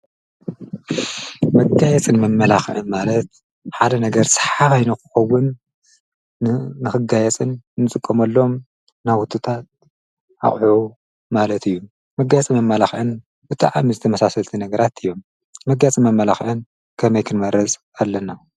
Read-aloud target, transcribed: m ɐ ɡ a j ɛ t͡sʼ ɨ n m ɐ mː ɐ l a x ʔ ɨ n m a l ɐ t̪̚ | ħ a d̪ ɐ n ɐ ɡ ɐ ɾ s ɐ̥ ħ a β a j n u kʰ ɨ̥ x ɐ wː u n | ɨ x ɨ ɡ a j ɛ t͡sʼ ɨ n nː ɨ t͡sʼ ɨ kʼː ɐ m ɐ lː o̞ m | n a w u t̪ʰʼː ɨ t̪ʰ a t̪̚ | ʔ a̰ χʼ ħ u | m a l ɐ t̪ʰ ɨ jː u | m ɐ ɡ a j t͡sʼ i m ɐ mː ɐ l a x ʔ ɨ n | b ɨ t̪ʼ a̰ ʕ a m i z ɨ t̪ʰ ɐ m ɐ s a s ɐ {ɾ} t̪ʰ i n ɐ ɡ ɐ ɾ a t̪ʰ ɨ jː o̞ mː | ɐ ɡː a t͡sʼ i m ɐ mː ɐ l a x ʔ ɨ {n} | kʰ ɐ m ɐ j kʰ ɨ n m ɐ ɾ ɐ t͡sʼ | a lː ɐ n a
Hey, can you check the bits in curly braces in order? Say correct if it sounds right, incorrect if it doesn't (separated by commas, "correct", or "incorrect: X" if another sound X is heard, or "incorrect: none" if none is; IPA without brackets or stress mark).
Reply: incorrect: l, correct